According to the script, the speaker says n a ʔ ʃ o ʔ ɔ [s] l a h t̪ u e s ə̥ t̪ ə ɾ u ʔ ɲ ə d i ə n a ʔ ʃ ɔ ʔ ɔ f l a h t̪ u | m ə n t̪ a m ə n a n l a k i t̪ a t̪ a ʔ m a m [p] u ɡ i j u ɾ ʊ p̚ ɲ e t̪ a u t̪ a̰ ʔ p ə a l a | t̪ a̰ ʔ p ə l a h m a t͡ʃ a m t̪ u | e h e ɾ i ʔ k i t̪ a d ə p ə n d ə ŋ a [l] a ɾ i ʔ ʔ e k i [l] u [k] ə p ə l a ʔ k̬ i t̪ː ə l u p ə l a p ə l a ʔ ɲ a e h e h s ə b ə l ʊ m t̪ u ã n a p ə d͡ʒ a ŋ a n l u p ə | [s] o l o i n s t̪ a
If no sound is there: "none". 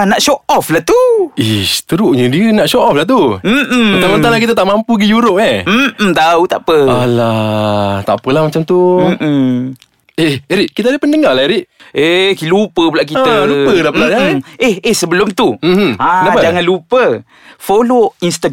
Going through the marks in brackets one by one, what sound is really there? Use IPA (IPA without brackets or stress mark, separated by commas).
f, p, l, l, p, f